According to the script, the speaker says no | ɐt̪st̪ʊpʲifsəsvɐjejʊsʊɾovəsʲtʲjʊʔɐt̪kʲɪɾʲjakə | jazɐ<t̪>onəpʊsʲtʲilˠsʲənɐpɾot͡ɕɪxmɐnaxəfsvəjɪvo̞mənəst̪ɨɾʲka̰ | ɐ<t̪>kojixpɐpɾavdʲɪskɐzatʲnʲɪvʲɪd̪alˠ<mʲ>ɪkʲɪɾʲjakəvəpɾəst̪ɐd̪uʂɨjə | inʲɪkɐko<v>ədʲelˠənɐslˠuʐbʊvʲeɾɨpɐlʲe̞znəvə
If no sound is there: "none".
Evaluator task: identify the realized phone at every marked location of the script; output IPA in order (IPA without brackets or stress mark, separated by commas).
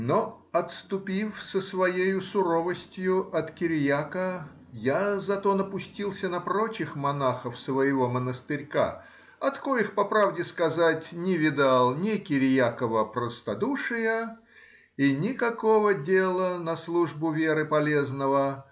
t̪, t̪, nʲ, v